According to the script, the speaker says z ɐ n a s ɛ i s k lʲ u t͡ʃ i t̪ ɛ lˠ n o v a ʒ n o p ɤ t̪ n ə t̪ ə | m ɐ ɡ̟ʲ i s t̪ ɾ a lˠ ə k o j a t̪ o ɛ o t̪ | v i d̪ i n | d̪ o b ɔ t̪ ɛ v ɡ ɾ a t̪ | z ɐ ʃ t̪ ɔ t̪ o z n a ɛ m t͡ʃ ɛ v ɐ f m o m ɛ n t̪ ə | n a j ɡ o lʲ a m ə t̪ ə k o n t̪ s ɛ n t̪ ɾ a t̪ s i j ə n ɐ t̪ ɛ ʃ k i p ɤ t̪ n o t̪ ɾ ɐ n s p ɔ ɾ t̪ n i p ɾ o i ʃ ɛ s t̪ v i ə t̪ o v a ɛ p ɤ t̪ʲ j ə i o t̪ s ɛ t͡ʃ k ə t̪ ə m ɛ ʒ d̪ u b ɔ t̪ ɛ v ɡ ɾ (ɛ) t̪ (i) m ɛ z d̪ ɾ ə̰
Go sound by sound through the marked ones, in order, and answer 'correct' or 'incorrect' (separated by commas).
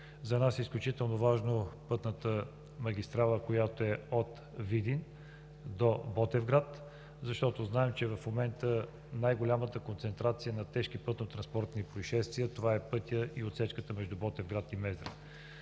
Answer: incorrect, correct